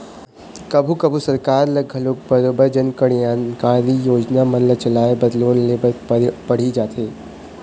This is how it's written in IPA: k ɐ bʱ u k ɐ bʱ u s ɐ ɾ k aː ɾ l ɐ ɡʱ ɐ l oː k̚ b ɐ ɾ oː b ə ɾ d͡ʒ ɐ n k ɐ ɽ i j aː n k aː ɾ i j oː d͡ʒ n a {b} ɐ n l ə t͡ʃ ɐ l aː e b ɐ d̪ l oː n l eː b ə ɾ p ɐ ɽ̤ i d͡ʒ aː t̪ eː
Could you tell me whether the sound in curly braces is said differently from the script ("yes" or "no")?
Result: yes